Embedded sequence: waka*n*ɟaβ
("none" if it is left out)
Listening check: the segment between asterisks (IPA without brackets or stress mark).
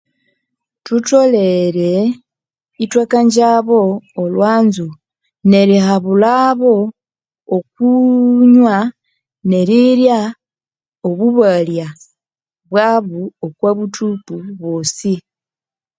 ɲ